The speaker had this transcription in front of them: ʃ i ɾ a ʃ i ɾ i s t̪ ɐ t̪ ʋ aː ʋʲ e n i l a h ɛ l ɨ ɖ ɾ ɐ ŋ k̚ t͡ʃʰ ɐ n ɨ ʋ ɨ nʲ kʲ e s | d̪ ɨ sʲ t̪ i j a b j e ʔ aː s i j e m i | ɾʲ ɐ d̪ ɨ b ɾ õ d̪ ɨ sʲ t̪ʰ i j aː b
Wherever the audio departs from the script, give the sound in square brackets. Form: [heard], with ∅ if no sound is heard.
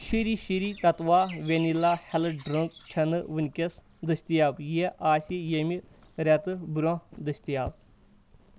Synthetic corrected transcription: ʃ i ɾ [i] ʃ i ɾ i [∅] t̪ ɐ t̪ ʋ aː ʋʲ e n i l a h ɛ l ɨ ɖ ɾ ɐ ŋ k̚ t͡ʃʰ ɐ n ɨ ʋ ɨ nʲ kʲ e s | d̪ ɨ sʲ t̪ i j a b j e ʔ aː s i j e m i | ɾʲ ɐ [t̪] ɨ b ɾ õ d̪ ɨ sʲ [t̪] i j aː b